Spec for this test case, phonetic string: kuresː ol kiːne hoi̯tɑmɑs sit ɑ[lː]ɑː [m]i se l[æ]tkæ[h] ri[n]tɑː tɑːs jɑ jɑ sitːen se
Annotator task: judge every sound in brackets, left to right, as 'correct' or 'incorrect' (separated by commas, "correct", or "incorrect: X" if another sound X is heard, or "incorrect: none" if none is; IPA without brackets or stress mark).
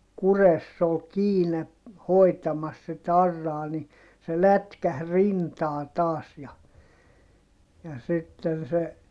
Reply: incorrect: rː, incorrect: n, correct, correct, correct